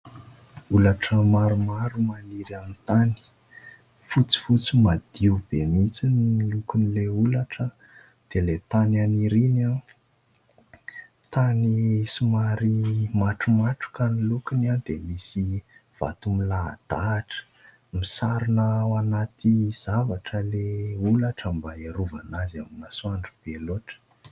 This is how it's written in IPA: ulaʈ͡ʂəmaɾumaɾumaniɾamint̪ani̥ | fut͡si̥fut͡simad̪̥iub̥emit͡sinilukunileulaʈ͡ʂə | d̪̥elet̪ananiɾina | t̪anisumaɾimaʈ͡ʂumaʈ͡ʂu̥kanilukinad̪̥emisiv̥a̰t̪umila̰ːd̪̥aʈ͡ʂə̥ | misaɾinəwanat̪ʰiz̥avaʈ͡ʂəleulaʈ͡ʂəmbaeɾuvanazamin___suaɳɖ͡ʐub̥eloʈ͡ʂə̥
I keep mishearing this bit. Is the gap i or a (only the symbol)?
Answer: a